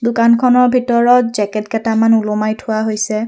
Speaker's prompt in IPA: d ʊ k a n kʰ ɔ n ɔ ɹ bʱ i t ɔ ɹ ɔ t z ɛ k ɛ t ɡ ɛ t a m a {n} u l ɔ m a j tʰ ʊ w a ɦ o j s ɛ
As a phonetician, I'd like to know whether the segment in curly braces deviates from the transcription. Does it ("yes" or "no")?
no